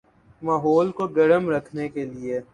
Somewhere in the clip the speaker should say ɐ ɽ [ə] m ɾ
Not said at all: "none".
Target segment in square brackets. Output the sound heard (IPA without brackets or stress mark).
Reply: ə